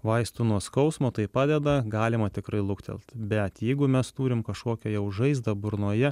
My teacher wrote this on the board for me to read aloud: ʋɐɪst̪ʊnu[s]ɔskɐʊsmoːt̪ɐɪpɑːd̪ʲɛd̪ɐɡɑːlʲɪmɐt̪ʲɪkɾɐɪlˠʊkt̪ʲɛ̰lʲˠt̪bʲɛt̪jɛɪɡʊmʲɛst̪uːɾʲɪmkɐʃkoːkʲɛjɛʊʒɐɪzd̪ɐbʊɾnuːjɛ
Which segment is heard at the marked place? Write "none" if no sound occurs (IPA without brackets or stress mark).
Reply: none